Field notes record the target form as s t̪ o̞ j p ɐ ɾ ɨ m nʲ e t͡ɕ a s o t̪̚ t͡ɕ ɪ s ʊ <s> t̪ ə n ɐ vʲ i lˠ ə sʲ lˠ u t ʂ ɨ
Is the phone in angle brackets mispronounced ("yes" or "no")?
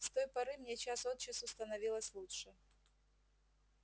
no